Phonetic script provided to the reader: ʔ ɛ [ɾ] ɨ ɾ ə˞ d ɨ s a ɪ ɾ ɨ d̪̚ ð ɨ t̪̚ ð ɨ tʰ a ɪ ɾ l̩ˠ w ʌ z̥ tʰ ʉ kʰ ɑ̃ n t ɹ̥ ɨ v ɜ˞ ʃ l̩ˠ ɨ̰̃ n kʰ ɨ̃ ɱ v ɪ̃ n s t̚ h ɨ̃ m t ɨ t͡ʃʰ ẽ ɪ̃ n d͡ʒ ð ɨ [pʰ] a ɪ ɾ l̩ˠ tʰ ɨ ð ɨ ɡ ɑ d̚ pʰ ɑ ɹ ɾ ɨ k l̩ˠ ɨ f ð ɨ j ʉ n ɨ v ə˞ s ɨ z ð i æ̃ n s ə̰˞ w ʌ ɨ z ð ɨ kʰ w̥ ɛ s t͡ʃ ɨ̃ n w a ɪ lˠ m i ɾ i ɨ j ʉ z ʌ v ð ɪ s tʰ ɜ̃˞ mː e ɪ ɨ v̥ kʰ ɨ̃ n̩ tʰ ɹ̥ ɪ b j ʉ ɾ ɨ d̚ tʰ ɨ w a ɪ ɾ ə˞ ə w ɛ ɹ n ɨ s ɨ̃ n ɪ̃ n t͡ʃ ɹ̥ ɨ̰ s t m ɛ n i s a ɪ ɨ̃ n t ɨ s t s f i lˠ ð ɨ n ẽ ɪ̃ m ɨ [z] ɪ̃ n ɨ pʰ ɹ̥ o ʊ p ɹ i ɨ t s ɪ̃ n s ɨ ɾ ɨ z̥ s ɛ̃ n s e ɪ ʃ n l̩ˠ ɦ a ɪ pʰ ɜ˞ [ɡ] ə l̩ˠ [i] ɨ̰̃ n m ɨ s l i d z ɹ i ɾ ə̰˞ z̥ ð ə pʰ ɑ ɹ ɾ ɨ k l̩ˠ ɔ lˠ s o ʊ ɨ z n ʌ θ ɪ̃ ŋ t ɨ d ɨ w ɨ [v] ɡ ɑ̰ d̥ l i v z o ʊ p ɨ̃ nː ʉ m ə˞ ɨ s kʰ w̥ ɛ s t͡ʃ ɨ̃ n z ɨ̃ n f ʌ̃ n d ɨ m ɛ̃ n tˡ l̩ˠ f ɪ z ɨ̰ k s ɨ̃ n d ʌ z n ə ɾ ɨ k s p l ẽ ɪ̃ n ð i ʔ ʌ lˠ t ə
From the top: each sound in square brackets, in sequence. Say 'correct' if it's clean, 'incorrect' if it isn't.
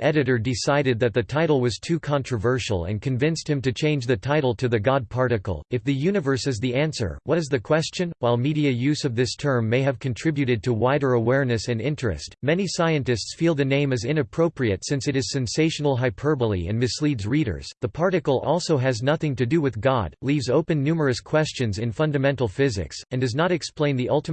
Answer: correct, incorrect: tʰ, correct, incorrect: b, correct, incorrect: ð

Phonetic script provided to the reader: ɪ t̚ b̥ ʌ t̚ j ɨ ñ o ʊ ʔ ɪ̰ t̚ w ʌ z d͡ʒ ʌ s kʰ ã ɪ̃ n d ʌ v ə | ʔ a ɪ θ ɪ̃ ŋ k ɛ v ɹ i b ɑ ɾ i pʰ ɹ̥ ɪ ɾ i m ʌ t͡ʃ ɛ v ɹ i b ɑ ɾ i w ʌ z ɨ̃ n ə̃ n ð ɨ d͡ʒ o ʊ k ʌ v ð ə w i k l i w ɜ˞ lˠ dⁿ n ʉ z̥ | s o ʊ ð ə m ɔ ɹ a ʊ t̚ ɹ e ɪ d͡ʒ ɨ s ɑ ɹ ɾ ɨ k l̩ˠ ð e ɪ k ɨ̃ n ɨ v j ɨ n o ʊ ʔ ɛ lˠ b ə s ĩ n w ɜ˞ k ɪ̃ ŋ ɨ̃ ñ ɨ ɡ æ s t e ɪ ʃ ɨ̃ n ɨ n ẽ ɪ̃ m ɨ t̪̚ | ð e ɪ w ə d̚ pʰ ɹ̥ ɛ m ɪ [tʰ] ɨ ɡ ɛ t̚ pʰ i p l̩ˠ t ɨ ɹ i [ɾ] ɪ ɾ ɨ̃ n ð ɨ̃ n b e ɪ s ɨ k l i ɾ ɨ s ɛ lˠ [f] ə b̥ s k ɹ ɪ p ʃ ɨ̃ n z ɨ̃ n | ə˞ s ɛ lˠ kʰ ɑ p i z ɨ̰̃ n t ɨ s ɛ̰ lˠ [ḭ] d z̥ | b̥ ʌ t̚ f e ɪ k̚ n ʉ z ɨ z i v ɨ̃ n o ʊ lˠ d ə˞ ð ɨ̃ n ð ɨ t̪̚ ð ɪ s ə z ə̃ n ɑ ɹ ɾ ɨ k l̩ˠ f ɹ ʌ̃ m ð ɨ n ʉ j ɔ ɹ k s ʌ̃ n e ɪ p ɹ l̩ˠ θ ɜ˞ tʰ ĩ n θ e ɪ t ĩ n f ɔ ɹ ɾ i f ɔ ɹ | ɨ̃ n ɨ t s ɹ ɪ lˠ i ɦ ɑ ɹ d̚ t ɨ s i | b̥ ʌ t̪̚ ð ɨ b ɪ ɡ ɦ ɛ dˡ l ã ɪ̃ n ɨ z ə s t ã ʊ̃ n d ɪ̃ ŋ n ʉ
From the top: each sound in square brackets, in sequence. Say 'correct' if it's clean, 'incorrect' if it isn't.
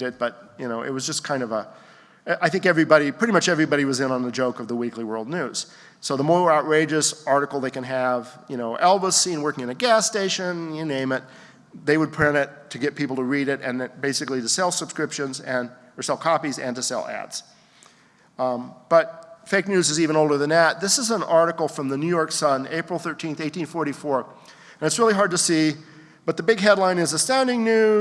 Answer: correct, correct, incorrect: s, incorrect: æ̰

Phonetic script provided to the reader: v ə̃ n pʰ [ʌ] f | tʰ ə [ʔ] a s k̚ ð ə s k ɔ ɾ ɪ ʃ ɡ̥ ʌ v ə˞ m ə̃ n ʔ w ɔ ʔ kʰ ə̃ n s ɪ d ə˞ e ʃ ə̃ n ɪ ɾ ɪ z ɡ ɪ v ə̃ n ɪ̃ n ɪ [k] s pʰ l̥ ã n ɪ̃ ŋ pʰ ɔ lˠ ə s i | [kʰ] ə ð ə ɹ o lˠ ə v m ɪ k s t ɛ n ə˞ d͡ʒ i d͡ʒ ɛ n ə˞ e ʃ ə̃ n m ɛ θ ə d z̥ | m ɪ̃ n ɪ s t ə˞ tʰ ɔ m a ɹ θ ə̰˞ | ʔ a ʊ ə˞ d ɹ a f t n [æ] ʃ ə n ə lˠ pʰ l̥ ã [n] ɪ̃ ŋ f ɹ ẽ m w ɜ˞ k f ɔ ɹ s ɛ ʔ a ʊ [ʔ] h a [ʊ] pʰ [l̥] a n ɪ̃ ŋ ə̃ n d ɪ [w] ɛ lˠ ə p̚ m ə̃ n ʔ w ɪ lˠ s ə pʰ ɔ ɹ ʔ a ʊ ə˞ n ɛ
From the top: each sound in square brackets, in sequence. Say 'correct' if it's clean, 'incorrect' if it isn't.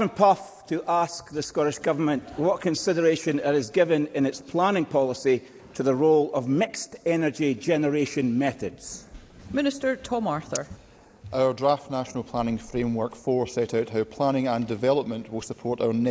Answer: correct, correct, incorrect: t, incorrect: tʰ, incorrect: a, correct, correct, correct, correct, incorrect: v

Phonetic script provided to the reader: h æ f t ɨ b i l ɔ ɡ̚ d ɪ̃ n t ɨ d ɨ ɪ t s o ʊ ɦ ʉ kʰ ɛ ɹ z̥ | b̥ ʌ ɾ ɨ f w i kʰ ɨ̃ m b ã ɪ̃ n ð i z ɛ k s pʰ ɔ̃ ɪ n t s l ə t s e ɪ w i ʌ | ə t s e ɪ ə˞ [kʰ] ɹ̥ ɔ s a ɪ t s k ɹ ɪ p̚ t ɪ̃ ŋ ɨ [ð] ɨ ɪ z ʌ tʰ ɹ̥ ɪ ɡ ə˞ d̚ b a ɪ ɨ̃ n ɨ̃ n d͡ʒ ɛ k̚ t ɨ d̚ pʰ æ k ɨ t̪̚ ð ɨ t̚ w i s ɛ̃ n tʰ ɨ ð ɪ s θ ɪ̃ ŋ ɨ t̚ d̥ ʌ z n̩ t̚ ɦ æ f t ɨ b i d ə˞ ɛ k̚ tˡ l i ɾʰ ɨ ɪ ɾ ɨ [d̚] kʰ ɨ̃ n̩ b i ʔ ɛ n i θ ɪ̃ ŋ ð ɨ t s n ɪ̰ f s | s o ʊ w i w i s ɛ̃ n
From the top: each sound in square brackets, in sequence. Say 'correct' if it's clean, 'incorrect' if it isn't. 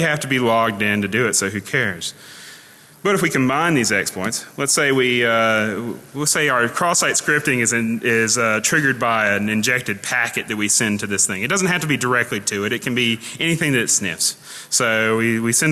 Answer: correct, incorrect: z, incorrect: t̚

